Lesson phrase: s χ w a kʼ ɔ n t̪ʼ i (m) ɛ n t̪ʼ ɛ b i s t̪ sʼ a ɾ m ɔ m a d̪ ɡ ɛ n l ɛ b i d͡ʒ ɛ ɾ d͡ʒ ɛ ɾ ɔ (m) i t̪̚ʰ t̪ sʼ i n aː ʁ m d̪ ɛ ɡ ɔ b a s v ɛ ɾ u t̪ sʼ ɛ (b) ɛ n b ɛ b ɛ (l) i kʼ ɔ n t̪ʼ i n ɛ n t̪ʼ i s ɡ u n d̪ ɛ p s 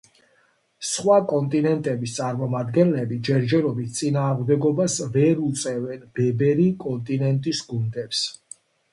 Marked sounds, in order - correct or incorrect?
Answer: incorrect: n, incorrect: b, incorrect: v, incorrect: ɾ

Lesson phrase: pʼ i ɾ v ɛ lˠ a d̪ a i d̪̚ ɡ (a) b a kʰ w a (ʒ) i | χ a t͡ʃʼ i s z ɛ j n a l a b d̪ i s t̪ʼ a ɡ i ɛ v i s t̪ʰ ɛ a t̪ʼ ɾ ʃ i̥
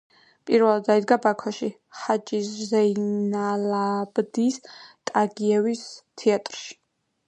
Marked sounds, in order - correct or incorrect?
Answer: correct, incorrect: ʃ

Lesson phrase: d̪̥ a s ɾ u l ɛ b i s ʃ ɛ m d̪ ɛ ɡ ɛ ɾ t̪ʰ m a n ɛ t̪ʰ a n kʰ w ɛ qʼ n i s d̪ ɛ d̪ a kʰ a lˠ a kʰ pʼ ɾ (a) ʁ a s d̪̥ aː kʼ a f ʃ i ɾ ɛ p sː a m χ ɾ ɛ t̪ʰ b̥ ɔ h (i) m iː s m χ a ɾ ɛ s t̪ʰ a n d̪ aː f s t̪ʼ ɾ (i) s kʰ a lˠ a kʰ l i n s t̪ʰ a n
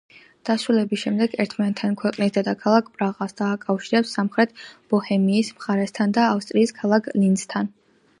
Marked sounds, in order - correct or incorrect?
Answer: correct, incorrect: ɛ, incorrect: iː

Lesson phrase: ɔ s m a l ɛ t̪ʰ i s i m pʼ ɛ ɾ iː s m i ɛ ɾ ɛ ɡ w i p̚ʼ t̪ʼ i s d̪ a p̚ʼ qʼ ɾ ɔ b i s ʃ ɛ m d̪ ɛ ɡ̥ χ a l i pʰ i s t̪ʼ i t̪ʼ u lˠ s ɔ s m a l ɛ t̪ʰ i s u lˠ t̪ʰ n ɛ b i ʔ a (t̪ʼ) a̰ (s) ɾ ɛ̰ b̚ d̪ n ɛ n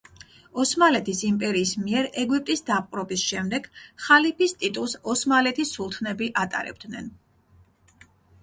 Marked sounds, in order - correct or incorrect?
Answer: correct, incorrect: none

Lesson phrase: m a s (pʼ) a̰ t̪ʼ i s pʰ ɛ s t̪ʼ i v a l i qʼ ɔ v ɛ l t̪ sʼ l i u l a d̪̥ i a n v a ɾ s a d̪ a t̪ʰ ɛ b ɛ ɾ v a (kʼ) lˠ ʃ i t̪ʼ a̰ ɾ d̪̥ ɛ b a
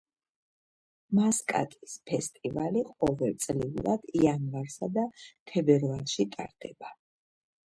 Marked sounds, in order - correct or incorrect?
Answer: incorrect: kʼ, incorrect: none

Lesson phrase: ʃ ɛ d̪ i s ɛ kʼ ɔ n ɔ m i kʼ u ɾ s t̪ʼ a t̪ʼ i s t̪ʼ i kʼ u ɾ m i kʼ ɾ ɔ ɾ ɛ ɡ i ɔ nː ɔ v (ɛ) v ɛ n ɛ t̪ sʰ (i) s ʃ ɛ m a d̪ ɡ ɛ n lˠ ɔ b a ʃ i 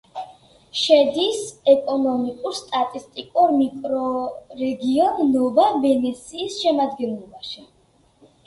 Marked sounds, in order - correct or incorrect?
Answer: incorrect: a, incorrect: iː

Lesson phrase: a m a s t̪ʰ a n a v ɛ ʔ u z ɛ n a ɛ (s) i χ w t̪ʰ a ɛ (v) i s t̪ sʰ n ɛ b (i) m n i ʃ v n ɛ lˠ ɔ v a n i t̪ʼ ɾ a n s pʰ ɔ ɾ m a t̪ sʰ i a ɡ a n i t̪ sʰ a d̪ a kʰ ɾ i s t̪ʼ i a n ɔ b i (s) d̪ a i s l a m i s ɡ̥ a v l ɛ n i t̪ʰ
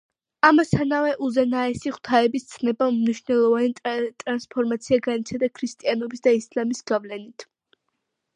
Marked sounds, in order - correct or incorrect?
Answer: correct, incorrect: b, incorrect: a, correct

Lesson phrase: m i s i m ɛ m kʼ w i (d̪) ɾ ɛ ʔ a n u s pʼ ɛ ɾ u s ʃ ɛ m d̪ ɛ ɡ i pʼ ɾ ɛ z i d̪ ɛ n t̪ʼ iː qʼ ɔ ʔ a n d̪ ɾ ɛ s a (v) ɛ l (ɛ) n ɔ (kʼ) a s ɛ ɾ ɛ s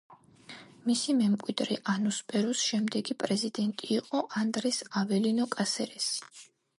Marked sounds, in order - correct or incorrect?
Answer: correct, correct, incorrect: i, correct

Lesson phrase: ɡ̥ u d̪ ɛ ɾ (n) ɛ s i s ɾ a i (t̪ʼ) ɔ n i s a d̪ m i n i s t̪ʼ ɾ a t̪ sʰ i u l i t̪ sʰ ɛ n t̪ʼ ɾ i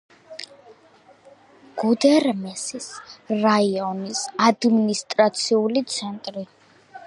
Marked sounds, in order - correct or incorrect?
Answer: incorrect: m, incorrect: none

